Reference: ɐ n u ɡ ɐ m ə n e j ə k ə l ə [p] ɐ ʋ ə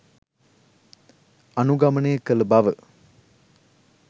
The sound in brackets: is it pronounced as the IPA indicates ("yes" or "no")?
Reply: no